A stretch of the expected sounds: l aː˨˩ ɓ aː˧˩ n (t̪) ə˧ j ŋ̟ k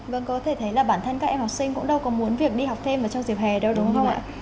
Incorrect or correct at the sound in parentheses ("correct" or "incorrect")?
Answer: incorrect